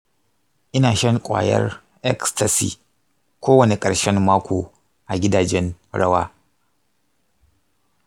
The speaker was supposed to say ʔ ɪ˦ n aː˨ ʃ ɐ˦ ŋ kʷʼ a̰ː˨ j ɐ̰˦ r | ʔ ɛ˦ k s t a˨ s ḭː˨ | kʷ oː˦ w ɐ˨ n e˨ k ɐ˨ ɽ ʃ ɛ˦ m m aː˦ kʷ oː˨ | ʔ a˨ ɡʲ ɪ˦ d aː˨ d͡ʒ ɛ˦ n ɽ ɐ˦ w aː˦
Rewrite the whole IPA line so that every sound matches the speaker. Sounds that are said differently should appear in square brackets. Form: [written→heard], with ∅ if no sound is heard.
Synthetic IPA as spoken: ʔ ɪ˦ n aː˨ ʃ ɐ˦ ŋ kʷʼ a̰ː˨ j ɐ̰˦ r | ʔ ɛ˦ k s t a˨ s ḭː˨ | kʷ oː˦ w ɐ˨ n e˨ [k→kʼ] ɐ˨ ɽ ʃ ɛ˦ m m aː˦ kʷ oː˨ | ʔ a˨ ɡʲ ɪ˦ d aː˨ d͡ʒ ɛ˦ n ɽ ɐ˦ w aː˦